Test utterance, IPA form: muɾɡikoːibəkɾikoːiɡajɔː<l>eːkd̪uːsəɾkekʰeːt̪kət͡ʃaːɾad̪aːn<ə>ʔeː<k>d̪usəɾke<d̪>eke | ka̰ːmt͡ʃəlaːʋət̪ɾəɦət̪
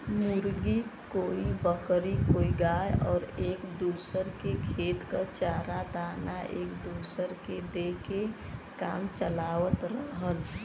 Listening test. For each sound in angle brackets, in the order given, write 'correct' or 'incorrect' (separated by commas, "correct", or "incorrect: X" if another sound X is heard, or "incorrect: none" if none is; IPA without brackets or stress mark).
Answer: incorrect: ɾ, incorrect: a, correct, correct